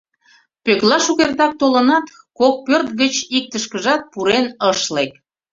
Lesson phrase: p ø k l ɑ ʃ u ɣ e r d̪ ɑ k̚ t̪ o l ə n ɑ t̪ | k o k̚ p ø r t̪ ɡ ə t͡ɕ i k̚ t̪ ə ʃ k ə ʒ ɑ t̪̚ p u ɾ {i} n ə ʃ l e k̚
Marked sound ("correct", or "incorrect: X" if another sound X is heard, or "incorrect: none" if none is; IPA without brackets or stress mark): incorrect: e